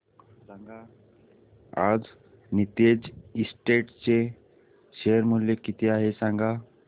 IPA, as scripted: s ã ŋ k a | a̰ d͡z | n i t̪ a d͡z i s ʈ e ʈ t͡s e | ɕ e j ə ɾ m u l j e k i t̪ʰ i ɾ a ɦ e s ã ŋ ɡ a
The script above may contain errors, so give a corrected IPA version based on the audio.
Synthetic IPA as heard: s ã ŋ ɡ a | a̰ d͡z | n i t̪ e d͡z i s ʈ e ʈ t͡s e | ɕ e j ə ɾ m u l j e k i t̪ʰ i a ɦ e s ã ŋ ɡ a